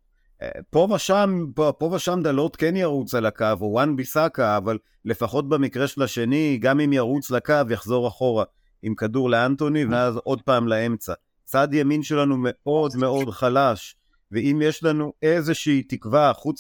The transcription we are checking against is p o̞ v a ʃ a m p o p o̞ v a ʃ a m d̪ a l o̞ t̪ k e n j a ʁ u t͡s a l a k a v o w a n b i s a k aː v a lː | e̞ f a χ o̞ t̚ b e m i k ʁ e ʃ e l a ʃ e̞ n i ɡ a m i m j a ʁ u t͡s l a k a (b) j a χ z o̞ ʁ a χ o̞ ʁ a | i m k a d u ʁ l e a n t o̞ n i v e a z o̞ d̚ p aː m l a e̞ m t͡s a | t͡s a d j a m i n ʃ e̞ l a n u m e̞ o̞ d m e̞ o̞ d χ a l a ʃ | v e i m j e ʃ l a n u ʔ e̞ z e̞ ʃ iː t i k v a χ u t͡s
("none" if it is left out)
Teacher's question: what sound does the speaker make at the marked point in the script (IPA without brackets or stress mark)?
v